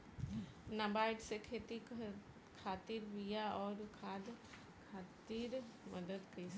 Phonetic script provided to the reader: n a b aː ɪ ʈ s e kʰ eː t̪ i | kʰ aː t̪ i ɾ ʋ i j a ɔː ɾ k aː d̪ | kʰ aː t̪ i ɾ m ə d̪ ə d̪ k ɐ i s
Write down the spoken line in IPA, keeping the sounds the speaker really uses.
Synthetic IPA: n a b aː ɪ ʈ s e kʰ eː t̪ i | kʰ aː t̪ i ɾ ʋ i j a ɔː ɾ kʰ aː d̪ | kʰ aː t̪ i ɾ m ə d̪ ə d̪ k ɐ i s